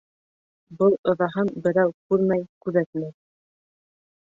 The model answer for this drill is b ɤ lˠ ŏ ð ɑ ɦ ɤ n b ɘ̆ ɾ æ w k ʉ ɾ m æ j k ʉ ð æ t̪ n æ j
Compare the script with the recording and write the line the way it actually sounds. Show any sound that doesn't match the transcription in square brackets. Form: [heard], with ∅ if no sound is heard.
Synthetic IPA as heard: b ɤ lˠ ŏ ð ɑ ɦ ɤ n b ɘ̆ ɾ æ w k ʉ ɾ m æ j k ʉ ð æ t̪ [m] æ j